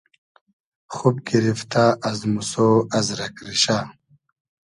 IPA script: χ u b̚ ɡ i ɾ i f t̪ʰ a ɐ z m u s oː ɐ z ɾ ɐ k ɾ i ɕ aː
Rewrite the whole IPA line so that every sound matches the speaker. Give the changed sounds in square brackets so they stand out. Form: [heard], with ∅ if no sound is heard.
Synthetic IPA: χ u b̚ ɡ i ɾ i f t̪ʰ a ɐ z m u s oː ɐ z ɾ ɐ k ɾ i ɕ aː